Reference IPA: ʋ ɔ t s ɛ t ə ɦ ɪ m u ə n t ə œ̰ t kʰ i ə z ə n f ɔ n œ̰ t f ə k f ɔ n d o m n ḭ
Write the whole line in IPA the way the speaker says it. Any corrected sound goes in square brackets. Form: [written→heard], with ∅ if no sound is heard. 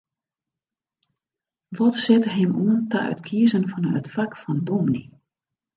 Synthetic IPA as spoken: ʋ ɔ t s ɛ t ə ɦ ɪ m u ə n t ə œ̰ t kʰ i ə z ə n f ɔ n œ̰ t f [ə→a] k f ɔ n d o m n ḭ